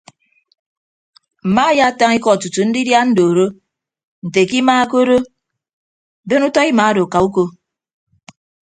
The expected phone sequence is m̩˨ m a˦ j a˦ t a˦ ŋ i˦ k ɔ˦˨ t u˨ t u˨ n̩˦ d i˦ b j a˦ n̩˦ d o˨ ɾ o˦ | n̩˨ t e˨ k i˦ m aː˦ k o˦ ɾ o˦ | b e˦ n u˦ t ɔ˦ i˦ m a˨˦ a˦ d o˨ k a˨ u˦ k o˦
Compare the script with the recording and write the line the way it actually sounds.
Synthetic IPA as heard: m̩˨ m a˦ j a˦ t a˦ ŋ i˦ k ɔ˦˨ t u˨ t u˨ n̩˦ d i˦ d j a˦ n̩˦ d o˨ ɾ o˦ | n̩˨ t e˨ k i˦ m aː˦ k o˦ ɾ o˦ | b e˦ n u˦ t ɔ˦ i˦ m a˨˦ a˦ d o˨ k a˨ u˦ k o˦